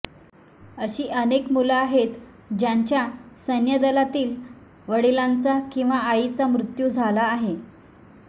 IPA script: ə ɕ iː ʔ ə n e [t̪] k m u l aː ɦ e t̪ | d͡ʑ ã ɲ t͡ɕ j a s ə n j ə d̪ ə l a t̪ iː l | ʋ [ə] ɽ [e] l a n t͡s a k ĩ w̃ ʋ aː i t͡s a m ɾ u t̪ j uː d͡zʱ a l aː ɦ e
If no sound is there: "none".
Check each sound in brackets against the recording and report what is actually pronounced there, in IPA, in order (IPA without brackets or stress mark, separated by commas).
none, ə, i